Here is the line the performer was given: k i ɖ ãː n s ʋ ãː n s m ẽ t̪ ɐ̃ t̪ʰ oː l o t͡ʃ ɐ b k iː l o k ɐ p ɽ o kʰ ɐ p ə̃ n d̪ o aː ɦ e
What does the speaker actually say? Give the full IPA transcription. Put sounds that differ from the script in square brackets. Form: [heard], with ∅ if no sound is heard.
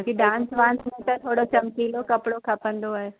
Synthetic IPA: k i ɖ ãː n s ʋ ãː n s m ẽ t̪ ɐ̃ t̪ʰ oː [ɽ] o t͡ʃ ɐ [m] k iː l o k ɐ p ɽ o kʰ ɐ p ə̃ n d̪ o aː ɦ e